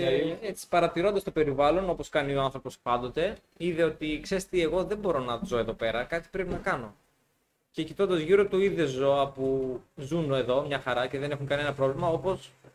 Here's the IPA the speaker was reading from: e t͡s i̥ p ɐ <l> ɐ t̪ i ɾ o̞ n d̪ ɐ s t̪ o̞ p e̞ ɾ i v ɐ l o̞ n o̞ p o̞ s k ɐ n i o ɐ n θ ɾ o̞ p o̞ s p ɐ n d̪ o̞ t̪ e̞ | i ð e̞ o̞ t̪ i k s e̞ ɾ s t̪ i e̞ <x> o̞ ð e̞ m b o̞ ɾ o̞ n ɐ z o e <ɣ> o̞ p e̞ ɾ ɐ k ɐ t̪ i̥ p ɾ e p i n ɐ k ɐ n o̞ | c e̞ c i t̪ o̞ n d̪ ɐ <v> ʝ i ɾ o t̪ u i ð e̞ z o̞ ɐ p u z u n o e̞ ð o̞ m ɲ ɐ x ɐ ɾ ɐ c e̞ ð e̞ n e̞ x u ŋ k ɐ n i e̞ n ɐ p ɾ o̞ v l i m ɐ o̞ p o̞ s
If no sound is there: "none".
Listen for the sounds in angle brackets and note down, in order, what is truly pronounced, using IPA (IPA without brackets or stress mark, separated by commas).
ɾ, ɣ, ð, z